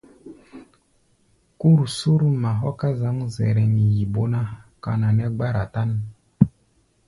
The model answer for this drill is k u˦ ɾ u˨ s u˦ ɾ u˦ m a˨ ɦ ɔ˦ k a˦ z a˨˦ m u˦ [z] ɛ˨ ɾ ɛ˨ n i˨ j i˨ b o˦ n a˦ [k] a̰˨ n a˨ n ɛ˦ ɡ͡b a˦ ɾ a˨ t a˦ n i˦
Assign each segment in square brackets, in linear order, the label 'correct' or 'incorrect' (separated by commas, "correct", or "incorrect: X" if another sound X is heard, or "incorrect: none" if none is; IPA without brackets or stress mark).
correct, correct